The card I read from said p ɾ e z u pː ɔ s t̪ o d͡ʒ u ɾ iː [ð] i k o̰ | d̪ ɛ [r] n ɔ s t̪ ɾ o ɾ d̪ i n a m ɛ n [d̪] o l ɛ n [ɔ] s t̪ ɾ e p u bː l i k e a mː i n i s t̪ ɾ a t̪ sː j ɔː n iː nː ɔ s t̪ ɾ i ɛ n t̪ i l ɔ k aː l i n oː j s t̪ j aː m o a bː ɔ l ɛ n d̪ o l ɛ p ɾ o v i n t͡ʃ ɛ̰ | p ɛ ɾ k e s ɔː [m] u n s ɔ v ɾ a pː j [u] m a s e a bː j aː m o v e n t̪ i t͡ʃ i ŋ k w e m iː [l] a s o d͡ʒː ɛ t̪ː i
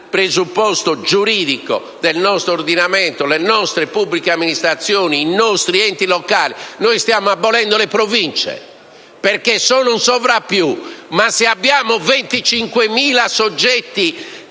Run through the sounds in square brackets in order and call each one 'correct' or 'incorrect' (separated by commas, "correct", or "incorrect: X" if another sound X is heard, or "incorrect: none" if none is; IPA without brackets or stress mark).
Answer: correct, incorrect: l, incorrect: t̪, correct, incorrect: n, correct, correct